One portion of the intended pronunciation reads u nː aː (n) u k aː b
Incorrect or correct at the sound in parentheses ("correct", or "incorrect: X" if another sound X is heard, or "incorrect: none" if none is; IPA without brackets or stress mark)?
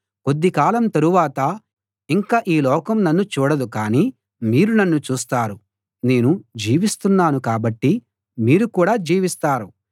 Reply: correct